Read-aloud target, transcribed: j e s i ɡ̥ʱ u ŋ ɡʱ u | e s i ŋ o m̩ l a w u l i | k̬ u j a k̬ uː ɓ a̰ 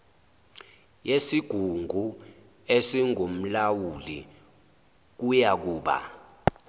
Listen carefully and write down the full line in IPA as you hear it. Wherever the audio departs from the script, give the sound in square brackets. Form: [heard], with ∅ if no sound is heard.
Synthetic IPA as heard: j e s i ɡ̥ʱ u ŋ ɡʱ u | e s i ŋ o m̩ l a w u l i | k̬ u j a k̬ uː ɓ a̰